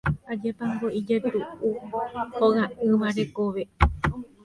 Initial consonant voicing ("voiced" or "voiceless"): voiced